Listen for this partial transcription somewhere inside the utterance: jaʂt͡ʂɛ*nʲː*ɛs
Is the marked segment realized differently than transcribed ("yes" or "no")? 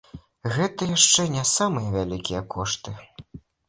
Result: yes